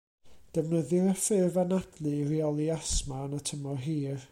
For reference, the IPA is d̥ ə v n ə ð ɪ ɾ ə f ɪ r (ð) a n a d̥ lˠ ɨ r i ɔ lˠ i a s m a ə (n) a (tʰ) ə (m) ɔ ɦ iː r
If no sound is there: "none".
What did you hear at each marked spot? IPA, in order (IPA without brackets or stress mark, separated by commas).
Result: v, n, tʰ, m